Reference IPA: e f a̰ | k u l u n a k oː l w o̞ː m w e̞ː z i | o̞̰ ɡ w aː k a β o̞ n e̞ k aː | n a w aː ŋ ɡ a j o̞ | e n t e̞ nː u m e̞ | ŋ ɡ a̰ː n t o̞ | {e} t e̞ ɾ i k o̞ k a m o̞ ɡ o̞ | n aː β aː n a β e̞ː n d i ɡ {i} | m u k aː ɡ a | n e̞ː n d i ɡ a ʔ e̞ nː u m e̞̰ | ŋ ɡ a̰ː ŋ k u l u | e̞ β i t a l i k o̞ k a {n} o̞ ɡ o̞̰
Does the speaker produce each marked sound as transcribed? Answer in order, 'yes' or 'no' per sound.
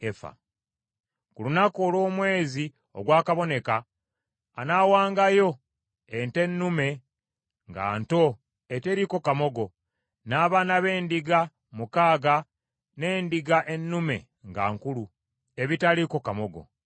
yes, no, no

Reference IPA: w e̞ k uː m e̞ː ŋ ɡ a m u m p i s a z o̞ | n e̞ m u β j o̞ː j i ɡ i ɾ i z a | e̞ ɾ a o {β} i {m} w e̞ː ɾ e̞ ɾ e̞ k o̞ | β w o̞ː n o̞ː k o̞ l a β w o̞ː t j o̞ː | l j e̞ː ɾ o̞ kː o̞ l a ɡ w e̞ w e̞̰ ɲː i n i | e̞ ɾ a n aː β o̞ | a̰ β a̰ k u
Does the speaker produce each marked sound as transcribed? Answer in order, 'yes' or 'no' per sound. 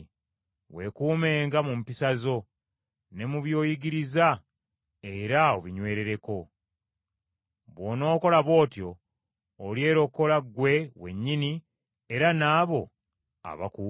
yes, no

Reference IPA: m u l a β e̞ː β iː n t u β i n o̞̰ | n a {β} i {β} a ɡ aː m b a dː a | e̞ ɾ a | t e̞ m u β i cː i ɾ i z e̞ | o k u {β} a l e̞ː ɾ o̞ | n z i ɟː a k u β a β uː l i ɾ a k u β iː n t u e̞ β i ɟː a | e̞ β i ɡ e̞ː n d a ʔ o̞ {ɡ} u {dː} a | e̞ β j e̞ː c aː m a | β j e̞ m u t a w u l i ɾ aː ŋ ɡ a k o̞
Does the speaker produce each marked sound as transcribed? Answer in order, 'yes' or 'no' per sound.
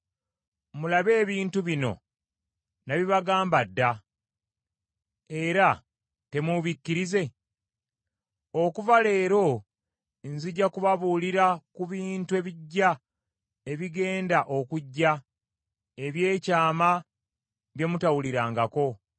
yes, yes, no, no, no

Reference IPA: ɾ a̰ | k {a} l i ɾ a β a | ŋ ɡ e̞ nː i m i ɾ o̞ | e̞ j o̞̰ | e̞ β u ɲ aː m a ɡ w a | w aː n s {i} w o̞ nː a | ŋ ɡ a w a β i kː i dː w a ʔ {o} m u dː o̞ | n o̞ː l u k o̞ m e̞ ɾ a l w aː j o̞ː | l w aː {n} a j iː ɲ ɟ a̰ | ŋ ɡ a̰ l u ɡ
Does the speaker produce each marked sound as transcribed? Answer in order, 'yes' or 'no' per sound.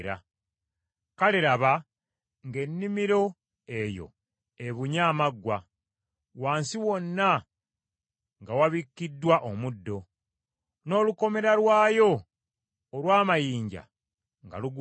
yes, yes, yes, no

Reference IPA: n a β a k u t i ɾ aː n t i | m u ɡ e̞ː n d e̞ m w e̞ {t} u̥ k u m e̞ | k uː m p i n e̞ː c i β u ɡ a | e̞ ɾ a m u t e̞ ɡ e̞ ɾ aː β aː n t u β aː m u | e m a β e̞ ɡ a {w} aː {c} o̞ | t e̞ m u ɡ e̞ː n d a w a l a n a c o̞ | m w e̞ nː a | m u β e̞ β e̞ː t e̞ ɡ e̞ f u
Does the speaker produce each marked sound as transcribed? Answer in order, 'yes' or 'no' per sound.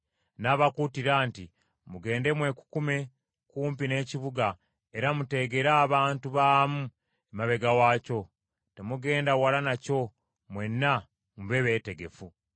no, yes, yes

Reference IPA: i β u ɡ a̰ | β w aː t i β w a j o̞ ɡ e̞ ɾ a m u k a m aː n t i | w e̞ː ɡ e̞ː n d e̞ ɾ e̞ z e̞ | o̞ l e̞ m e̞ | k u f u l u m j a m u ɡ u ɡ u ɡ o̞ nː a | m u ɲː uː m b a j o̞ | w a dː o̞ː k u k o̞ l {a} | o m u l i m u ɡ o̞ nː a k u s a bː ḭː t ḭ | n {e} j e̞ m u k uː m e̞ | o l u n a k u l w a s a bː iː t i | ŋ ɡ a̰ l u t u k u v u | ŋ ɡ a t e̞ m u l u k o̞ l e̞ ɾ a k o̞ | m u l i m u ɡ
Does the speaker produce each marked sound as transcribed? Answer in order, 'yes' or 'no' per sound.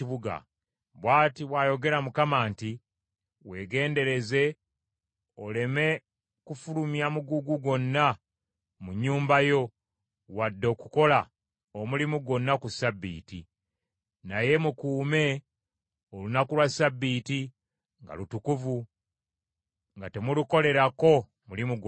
yes, no

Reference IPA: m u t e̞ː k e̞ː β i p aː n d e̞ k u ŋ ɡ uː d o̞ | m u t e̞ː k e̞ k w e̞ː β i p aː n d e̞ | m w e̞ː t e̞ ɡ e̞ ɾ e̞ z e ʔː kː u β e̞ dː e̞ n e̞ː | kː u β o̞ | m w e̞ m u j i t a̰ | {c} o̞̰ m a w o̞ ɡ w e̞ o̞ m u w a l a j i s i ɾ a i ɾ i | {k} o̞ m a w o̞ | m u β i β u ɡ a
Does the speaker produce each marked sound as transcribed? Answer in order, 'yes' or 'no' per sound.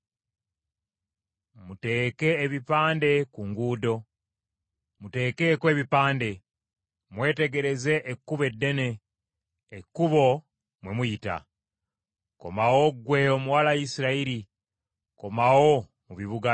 no, yes

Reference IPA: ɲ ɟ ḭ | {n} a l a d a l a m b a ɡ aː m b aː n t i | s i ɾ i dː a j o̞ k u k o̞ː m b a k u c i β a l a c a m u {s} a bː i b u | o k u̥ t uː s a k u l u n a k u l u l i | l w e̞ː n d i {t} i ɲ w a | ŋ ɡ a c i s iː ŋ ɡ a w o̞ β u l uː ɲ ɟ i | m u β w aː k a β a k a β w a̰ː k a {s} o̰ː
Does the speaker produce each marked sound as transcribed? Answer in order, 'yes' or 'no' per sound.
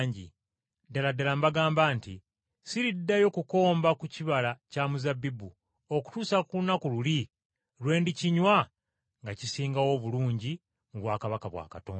no, no, no, no

